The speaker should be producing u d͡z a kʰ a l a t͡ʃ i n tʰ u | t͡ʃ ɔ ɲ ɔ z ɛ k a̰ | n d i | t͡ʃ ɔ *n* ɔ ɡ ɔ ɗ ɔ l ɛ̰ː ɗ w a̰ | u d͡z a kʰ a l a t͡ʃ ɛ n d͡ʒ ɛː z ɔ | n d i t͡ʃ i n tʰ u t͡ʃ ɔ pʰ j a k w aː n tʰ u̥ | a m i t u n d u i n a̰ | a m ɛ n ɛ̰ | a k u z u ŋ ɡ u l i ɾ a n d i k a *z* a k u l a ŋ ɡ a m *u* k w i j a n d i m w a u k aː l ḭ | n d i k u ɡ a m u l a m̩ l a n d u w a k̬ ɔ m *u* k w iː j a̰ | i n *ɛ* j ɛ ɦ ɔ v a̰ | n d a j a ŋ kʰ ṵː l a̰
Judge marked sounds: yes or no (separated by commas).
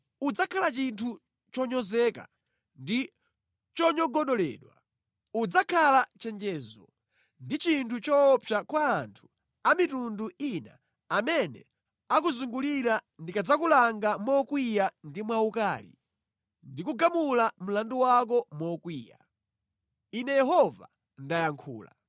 no, no, no, no, yes